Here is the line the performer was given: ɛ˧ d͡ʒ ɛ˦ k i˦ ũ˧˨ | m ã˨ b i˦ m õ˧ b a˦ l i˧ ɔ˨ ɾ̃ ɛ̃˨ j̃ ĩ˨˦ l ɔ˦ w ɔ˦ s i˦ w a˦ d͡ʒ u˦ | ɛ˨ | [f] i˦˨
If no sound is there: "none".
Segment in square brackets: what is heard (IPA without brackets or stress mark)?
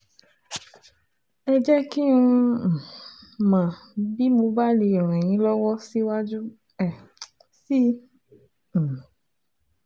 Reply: s